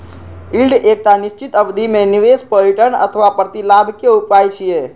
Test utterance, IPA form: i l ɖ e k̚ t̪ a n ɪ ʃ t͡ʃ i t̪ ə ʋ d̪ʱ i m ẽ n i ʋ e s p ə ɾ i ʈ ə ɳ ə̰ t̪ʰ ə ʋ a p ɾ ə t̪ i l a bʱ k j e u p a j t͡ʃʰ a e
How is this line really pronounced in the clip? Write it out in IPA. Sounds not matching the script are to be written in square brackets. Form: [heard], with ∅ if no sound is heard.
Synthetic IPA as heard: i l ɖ e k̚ t̪ a n ɪ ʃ t͡ʃ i t̪ ə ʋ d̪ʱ i m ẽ n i ʋ e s p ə ɾ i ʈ ə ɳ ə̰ t̪ʰ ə ʋ a p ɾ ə t̪ i l a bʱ k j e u p a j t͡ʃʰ [i] e